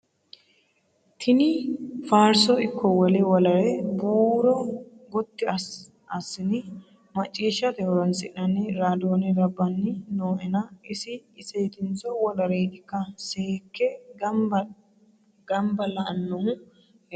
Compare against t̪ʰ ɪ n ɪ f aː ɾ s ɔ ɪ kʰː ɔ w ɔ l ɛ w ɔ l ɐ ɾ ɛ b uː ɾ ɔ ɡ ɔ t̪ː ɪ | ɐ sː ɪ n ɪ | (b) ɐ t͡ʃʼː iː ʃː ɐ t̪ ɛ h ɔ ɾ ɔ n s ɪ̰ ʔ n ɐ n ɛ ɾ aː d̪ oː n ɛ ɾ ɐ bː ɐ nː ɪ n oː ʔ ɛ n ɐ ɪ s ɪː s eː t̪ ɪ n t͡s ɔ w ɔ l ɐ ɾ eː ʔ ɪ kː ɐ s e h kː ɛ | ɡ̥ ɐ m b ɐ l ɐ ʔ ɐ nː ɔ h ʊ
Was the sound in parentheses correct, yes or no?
no